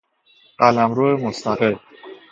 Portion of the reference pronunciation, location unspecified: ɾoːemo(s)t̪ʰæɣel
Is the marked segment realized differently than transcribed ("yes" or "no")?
no